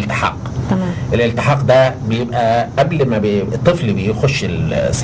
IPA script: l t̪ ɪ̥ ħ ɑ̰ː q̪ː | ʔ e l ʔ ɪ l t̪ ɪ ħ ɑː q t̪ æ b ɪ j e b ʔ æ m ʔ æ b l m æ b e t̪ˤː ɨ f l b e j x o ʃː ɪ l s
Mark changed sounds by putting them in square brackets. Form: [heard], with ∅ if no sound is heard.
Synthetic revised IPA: l t̪ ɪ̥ ħ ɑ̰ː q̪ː | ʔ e l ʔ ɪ l t̪ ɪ ħ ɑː q [d̪] æ b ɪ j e b ʔ æ [∅] ʔ æ b l m æ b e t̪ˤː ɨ f l b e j x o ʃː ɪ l s